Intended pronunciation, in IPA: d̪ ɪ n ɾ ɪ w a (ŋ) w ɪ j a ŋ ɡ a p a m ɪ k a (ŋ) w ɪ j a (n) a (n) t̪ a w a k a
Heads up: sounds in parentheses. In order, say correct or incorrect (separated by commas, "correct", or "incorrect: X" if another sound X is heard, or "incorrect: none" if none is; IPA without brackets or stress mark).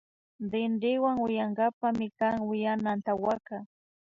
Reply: correct, correct, correct, correct